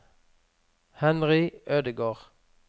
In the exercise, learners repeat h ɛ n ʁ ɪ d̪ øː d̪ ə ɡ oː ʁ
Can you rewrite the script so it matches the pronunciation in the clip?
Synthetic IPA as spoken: h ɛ n ʁ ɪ øː d̪ ə ɡ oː ʁ